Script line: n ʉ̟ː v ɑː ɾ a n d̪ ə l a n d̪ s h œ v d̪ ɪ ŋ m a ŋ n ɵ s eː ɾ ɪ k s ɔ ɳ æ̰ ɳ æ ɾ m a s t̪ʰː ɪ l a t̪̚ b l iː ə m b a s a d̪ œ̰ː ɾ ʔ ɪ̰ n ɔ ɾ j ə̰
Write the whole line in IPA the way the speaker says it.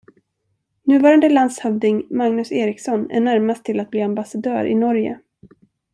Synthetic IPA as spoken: n ʉ̟ː v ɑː ɾ a n d̪ ə l a n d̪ s h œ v d̪ ɪ ŋ m a ŋ n ɵ s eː ɾ ɪ k s ɔ n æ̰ ɳ æ ɾ m a s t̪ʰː ɪ l a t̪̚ b l iː a m b a s a d̪ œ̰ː ɾ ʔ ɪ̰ n ɔ ɾ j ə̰